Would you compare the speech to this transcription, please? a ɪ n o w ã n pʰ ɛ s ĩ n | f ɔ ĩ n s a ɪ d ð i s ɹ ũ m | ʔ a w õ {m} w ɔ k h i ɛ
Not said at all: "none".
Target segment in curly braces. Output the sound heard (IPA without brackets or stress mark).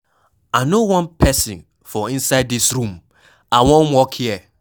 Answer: n